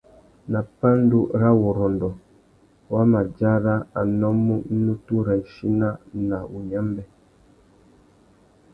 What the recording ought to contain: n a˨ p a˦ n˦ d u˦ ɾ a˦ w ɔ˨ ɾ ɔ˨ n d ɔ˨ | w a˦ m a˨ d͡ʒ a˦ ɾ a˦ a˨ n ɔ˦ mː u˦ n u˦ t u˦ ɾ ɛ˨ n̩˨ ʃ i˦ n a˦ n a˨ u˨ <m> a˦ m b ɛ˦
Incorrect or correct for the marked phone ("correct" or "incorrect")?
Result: incorrect